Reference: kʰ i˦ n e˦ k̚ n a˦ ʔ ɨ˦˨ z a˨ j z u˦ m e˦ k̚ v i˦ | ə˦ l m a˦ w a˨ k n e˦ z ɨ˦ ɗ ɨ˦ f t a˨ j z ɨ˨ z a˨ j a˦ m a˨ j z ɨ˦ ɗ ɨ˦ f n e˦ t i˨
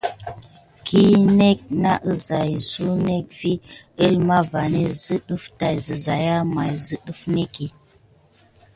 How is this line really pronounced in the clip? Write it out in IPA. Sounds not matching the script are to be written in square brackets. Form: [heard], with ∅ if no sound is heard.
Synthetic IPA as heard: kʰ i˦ n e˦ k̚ n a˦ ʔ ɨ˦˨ z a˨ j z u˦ [n] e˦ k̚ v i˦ | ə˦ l m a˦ [v] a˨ [∅] n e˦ z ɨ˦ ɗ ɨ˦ f t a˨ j z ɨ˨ z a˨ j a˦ m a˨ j z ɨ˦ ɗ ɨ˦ f n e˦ [k] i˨